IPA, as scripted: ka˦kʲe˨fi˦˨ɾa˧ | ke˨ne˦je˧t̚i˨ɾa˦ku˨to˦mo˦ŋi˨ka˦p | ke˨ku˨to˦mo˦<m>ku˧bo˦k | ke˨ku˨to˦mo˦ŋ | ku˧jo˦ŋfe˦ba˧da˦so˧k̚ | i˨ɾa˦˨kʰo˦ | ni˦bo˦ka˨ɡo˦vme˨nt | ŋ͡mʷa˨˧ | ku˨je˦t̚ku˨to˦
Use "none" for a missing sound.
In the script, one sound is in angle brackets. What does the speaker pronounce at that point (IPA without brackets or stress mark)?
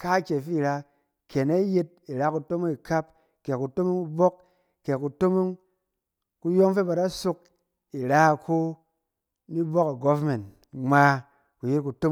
ŋ